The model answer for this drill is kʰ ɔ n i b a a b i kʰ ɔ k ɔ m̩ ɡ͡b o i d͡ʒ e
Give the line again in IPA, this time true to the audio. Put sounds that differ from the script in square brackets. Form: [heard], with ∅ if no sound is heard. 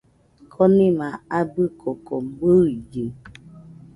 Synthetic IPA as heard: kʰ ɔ n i [m] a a b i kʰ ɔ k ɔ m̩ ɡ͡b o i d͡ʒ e